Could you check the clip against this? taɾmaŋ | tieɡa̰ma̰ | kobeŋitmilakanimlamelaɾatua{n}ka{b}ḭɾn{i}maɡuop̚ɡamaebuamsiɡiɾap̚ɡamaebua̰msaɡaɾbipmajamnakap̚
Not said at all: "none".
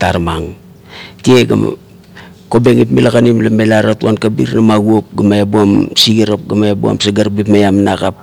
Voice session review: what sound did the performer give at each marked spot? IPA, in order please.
n, b, a

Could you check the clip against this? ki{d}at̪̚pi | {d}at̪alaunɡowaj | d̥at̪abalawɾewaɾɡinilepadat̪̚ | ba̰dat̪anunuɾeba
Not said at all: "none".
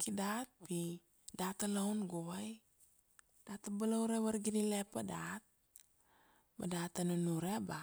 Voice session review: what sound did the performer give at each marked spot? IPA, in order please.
d, d

